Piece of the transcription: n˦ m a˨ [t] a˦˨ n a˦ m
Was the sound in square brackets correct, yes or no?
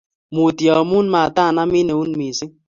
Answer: yes